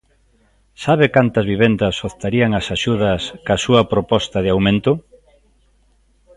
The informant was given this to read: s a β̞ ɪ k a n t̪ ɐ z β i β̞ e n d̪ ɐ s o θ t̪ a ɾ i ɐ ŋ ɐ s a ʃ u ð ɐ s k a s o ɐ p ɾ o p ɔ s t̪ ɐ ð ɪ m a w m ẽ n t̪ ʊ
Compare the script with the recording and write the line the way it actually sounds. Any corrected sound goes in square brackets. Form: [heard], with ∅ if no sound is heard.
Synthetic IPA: s a β̞ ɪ k a n t̪ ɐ z β i β̞ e n d̪ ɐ s o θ t̪ a ɾ i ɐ ŋ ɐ s a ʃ u ð ɐ s k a s [u] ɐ p ɾ o p ɔ s t̪ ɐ ð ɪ [∅] a w m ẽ n t̪ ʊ

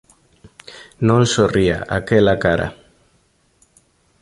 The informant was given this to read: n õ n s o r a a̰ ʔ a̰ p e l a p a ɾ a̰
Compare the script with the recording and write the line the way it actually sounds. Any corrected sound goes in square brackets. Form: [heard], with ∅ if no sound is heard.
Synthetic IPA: n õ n s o r [i] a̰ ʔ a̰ [k] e l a [k] a ɾ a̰

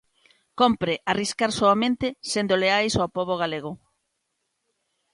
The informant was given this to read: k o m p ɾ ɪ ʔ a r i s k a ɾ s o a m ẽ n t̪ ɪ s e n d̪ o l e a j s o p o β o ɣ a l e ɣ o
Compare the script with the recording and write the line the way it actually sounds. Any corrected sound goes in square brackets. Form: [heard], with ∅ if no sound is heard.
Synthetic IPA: k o m p ɾ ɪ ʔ a r i s k a ɾ s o a m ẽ n t̪ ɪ s e n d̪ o l e a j s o p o β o ɣ a l e ɣ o

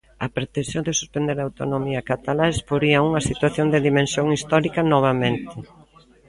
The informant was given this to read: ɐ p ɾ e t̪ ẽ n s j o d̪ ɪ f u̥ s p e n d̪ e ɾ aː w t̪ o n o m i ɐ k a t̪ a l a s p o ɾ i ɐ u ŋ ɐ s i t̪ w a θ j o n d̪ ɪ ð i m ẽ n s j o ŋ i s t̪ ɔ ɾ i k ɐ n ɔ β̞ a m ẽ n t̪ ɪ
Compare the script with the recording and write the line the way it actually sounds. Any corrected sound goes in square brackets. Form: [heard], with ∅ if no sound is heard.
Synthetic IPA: ɐ p ɾ e t̪ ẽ n s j o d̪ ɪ [s] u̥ s p e n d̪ e ɾ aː w t̪ o n o m i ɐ k a t̪ a l a s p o ɾ i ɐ u ŋ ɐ s i t̪ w a θ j o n d̪ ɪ ð i m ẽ n s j o ŋ i s t̪ ɔ ɾ i k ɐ n ɔ β̞ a m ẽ n t̪ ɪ

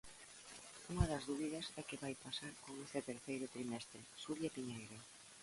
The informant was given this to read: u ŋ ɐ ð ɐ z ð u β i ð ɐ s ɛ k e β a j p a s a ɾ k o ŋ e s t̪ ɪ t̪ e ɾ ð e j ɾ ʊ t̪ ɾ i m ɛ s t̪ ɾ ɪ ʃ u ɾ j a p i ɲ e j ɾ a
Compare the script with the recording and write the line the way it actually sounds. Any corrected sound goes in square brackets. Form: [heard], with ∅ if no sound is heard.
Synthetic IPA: u ŋ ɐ ð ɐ z ð u β i ð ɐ s ɛ k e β a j p a s a ɾ k o ŋ e s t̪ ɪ t̪ e ɾ [θ] e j ɾ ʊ t̪ ɾ i m ɛ s t̪ ɾ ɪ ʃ u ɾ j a p i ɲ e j ɾ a

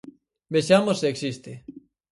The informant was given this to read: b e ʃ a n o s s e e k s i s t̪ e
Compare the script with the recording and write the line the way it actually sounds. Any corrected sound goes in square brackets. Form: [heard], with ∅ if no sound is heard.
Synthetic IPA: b e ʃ a [m] o s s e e k s i s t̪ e

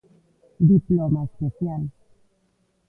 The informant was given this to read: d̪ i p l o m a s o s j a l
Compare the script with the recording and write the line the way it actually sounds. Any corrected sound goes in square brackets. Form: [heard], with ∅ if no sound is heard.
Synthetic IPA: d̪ i p l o m a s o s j a l

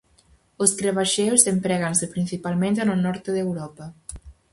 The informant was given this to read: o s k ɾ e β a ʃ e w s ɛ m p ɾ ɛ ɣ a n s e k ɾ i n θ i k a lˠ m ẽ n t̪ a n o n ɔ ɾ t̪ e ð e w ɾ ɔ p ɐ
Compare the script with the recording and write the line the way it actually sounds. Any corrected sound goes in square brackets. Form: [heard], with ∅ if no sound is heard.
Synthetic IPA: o s k ɾ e β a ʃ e w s [e] m p ɾ ɛ ɣ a n s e [p] ɾ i n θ i [p] a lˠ m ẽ n t̪ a n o n ɔ ɾ t̪ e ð e w ɾ ɔ p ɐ

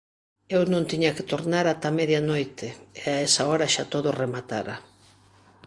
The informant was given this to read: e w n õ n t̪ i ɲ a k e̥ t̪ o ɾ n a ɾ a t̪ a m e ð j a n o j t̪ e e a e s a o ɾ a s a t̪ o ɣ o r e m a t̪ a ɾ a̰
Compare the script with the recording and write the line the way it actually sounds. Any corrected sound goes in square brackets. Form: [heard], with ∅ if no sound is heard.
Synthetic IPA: e w n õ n t̪ i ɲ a k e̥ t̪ o ɾ n a ɾ a t̪ a m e ð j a n o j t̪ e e a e s a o ɾ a [ʃ] a t̪ o [ð] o r e m a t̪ a ɾ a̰

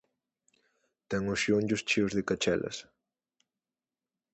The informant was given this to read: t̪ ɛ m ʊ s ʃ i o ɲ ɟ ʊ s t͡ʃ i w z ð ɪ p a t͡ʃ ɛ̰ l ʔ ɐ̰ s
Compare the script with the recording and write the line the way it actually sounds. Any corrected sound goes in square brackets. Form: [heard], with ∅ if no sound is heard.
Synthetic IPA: t̪ ɛ [ŋ] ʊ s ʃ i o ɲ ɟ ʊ s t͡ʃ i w z ð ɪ [k] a t͡ʃ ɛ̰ l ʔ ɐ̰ s

